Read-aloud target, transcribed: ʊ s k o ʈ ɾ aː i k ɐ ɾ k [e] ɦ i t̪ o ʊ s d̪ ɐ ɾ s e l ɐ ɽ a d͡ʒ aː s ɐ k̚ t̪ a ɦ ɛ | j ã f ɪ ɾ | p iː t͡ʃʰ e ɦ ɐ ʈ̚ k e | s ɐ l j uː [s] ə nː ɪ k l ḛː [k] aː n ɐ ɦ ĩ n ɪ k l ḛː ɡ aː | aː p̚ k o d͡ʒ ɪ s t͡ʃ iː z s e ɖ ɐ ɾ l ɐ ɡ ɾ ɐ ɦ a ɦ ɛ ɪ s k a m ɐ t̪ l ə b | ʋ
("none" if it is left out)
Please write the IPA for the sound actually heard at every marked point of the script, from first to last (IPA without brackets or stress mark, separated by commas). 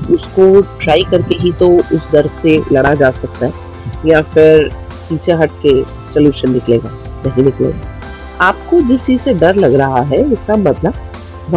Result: e, ʃ, ɡ